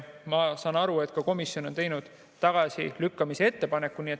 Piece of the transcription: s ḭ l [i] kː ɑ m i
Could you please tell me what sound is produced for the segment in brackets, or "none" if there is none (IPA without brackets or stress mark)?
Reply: y